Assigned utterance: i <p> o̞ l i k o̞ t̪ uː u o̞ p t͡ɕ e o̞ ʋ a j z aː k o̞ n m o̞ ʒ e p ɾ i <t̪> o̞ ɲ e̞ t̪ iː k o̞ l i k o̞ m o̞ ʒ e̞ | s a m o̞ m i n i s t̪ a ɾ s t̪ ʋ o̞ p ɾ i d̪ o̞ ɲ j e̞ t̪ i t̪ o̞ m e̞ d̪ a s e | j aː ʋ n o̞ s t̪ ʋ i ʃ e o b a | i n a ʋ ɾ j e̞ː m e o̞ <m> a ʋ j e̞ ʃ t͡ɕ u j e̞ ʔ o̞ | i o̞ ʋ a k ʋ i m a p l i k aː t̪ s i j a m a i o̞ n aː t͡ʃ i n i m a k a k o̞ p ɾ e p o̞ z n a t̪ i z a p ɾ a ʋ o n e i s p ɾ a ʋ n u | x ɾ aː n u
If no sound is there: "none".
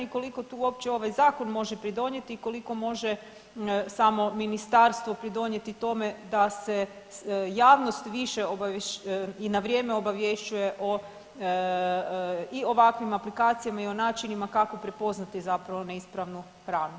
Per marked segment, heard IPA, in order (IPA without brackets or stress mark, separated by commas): k, d̪, b